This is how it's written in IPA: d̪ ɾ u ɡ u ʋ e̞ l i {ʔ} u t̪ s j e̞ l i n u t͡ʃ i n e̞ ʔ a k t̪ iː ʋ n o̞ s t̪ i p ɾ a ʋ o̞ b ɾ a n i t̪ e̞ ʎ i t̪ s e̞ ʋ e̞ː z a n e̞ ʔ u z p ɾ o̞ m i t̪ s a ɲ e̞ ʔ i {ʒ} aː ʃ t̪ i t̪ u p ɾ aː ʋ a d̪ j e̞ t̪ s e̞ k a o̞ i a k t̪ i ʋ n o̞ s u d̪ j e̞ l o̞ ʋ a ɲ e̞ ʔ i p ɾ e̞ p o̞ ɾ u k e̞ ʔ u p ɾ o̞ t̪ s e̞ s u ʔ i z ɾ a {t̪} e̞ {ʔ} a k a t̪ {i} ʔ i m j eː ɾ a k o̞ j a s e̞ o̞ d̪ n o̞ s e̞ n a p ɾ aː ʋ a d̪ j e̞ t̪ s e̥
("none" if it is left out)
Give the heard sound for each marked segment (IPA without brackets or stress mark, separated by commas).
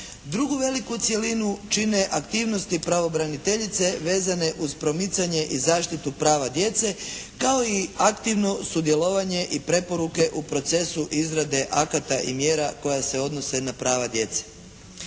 k, z, d̪, ʔ, a